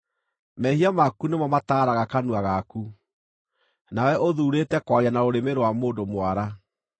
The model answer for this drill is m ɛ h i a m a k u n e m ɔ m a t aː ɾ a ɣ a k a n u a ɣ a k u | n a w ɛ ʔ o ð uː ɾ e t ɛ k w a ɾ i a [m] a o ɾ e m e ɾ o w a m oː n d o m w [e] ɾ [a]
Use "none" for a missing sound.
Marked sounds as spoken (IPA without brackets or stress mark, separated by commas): n, a, a